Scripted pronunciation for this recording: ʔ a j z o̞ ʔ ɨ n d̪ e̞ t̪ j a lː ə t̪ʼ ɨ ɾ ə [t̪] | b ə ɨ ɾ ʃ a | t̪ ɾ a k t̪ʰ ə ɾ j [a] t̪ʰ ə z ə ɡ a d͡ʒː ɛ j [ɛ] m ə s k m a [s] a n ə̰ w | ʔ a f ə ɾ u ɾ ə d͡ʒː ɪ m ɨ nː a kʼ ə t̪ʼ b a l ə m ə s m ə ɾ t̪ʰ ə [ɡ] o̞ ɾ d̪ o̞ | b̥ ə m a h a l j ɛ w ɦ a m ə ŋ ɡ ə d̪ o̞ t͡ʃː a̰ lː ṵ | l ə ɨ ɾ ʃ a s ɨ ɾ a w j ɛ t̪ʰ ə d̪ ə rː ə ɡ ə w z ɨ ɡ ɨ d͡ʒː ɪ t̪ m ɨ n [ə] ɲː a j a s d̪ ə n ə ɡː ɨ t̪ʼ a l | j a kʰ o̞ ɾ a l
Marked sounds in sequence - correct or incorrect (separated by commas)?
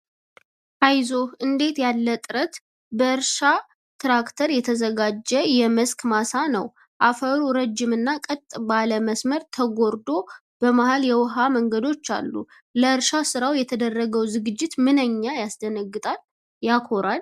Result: correct, incorrect, correct, correct, correct, correct